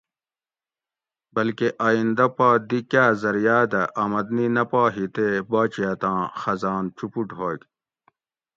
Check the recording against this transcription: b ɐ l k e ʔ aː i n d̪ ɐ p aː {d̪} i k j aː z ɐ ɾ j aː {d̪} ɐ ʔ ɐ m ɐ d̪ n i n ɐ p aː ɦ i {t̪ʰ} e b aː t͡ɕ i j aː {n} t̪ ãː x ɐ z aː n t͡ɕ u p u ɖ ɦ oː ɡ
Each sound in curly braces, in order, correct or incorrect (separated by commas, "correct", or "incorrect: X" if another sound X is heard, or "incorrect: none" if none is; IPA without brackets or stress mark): correct, correct, incorrect: t̪, incorrect: none